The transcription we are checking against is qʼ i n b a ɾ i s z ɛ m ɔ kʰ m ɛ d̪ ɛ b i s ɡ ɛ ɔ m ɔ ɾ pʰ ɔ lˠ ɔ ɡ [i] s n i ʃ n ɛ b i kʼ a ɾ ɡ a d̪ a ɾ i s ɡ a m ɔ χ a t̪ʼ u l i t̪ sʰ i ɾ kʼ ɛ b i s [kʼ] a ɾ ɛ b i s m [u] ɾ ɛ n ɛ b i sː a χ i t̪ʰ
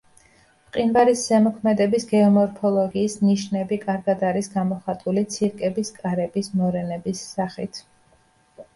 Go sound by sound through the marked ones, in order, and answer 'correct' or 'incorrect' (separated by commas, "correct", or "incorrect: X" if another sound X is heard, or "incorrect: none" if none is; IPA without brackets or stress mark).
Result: incorrect: iː, correct, incorrect: ɔ